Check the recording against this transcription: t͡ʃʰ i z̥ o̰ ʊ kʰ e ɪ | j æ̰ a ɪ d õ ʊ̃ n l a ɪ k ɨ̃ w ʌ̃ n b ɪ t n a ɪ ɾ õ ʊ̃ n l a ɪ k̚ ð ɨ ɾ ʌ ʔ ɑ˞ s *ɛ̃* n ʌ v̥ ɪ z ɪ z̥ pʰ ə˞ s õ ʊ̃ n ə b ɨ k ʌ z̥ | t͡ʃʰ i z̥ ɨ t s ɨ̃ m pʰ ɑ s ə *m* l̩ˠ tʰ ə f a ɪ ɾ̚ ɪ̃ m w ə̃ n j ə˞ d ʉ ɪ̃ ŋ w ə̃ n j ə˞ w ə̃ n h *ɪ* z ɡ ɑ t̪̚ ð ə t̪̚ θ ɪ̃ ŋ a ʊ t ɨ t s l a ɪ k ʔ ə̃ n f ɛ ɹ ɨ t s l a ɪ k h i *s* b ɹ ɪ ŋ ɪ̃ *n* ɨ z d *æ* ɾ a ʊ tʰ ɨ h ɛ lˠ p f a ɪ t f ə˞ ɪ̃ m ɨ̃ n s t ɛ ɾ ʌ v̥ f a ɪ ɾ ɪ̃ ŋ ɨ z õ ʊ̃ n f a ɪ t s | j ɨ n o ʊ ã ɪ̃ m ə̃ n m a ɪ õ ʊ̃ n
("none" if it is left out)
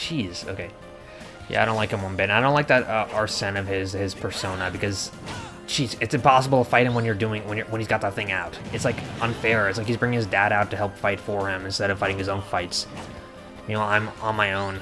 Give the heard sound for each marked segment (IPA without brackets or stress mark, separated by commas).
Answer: ɛ̃, b, i, z, ŋ, æ